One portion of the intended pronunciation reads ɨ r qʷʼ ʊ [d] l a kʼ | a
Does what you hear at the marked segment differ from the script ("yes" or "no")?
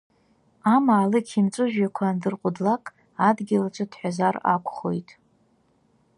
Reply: no